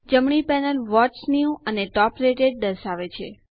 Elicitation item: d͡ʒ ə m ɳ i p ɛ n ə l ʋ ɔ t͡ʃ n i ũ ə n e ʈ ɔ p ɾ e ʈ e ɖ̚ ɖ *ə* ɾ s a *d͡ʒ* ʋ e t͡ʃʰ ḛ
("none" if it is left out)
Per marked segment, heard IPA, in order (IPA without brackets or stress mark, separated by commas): ə, none